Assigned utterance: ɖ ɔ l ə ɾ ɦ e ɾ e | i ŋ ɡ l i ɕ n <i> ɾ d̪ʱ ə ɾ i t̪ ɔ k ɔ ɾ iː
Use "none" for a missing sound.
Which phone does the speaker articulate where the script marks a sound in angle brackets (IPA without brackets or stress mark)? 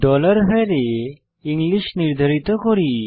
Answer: i